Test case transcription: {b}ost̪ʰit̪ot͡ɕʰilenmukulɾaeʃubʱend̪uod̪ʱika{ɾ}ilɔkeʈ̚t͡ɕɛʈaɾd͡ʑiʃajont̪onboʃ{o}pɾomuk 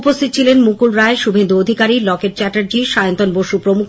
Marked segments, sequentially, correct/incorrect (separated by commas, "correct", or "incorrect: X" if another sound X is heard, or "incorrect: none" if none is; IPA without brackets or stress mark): incorrect: p, correct, incorrect: u